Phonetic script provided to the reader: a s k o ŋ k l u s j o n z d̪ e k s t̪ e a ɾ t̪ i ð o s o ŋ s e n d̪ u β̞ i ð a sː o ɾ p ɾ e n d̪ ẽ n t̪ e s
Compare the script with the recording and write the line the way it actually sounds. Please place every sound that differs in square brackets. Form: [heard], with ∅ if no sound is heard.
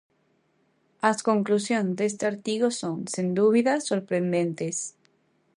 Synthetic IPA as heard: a s k o ŋ k l u s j o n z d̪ e [∅] s t̪ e a ɾ t̪ i [ɣ] o s o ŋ s e n d̪ u β̞ i ð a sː o ɾ p ɾ e n d̪ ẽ n t̪ e s